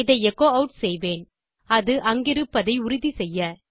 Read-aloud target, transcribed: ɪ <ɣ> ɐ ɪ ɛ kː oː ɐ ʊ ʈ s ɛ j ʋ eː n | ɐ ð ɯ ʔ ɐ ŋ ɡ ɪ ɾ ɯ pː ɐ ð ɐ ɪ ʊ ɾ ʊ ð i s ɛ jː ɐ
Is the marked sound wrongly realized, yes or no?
yes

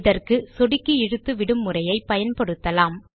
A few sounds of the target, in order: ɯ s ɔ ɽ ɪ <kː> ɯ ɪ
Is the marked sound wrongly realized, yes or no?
no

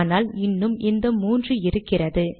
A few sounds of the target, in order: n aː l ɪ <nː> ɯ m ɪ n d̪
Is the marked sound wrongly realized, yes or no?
no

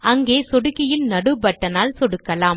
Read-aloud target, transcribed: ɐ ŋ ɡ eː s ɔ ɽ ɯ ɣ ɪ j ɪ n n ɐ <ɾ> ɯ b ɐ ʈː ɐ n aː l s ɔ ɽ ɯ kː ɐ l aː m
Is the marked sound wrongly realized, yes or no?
yes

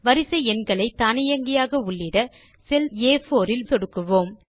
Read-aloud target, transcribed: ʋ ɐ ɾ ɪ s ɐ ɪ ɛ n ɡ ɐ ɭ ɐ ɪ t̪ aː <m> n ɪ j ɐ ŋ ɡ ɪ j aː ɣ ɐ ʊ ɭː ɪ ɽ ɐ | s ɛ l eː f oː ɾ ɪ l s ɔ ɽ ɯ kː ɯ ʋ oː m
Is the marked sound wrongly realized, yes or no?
yes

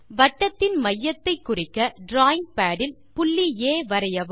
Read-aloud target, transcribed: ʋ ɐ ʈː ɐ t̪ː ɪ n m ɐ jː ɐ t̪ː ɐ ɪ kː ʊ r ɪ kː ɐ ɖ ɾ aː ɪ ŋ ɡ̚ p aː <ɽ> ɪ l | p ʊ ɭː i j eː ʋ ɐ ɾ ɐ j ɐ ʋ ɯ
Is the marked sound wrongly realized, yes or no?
no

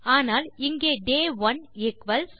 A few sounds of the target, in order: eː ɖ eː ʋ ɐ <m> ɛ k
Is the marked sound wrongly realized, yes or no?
yes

